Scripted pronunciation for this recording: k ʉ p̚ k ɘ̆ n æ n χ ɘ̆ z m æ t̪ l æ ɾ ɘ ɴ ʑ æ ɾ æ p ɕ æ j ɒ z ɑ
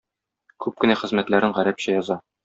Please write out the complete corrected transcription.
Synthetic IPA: k ʉ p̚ k ɘ̆ n æ χ ɘ̆ z m æ t̪ l æ ɾ ɘ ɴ ʁ æ ɾ æ p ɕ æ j ɒ z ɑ